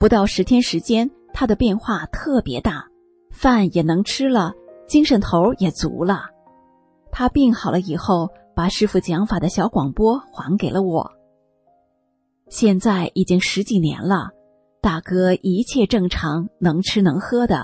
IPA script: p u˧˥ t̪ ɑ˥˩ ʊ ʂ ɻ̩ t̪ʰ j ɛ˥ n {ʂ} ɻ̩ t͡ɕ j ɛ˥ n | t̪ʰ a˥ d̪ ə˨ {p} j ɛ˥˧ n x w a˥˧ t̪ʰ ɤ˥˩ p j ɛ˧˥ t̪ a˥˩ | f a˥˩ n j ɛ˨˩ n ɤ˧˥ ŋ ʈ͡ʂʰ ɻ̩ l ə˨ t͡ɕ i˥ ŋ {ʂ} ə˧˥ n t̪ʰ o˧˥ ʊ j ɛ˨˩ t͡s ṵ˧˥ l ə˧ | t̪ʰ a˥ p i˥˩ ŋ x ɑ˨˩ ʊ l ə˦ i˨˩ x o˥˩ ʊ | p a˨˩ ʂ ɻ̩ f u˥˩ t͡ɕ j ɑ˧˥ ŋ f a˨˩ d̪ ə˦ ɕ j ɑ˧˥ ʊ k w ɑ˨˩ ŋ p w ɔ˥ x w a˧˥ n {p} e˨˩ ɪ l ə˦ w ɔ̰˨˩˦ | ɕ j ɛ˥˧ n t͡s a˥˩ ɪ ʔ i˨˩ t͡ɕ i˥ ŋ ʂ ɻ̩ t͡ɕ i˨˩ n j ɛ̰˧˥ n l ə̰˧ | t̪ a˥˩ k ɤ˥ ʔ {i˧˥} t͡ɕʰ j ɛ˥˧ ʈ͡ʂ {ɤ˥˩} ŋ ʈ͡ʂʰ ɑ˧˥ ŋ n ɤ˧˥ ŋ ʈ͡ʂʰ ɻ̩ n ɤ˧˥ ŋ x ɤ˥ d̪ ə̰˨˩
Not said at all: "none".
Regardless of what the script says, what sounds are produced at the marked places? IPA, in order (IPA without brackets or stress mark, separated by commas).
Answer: ʂ, p, ʂ, k, i˧˥, ɤ˥˩